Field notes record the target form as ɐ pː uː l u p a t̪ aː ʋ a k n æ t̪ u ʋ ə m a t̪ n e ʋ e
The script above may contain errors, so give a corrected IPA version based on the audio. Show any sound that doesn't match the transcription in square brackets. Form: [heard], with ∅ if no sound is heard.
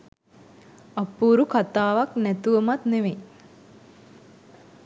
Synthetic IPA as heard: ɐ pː uː [ɾ] u [k] a t̪ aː ʋ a k n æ t̪ u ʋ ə m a t̪ n e ʋ e